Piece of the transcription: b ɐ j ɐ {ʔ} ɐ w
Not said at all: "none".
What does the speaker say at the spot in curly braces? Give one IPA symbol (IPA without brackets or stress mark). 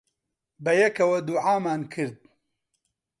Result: k